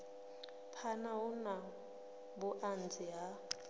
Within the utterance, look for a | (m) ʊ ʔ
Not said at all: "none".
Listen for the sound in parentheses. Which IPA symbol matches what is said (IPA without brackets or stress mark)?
b